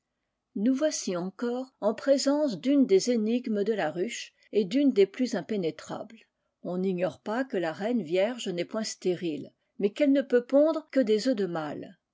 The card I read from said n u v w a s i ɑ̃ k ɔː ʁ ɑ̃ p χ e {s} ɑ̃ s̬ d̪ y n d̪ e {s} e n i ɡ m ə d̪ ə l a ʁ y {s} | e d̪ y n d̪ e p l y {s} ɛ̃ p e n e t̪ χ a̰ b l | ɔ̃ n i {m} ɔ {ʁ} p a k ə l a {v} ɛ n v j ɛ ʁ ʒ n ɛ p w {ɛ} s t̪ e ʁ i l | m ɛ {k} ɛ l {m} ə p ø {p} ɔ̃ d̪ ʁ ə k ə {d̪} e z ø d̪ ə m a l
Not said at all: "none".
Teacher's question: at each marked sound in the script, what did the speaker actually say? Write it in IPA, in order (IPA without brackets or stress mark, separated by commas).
z, z, ʃ, z, ɲ, ʁ, ʁ, ɛ̃, k, n, p, d̪